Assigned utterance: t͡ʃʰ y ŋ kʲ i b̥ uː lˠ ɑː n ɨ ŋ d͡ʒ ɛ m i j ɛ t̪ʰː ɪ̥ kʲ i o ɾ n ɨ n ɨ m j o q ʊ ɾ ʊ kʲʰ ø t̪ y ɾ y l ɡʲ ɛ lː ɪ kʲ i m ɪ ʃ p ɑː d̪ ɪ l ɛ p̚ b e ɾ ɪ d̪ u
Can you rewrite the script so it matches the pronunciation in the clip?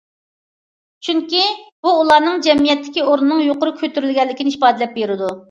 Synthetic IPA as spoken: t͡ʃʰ y ŋ kʲ i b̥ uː lˠ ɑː n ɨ ŋ d͡ʒ ɛ m i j ɛ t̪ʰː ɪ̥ kʲ i o ɾ n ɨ n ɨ ŋ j o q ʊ ɾ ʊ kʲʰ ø t̪ y ɾ y l ɡʲ ɛ lː ɪ kʲ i n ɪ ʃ p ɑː d̪ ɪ l ɛ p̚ b e ɾ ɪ d̪ u